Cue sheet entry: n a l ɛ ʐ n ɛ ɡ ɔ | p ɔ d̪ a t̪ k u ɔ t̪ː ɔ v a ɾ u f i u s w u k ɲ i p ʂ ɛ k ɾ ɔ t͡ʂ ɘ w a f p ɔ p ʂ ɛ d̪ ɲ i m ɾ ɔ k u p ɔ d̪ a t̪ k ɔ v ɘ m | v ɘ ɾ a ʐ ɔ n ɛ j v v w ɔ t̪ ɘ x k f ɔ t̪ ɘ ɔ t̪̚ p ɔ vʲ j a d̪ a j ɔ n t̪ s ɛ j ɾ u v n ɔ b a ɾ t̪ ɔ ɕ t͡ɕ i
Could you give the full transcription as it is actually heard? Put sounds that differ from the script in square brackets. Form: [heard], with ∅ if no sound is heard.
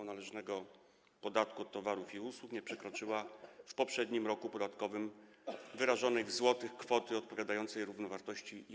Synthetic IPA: n a l ɛ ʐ n ɛ ɡ ɔ | p ɔ d̪ a t̪ k u ɔ t̪ː ɔ v a ɾ u f i u s w u k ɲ [ɛ] p ʂ ɛ k ɾ ɔ t͡ʂ ɘ w a f p ɔ p ʂ ɛ d̪ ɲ i m ɾ ɔ k u p ɔ d̪ a t̪ k ɔ v ɘ m | v ɘ ɾ a ʐ ɔ n ɛ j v [z] w ɔ t̪ ɘ x k f ɔ t̪ ɘ ɔ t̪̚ p ɔ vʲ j a d̪ a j ɔ n t̪ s ɛ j ɾ u v n ɔ [v] a ɾ t̪ ɔ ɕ t͡ɕ i